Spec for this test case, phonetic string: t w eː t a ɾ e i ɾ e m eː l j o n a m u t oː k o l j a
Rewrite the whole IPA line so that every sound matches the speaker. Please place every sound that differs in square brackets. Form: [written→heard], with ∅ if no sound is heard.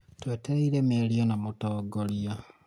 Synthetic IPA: t w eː t [a→e] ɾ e i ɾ e m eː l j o n a m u t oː [k→ɡ] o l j a